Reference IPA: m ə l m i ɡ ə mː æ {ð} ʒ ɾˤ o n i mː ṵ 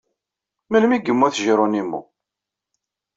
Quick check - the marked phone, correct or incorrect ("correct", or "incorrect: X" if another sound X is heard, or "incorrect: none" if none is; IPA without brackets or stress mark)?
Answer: incorrect: θ